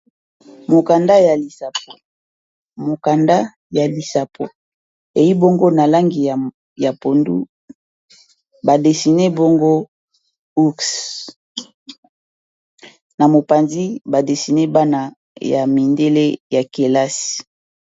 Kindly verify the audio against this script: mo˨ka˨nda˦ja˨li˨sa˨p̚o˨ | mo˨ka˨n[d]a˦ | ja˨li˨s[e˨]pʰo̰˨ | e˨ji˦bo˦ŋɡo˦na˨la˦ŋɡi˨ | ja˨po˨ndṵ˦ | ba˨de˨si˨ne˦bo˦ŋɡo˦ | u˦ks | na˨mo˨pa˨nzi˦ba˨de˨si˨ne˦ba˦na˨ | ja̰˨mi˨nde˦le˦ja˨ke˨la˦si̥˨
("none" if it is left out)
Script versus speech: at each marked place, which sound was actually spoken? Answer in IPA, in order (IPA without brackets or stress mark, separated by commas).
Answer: d, a˨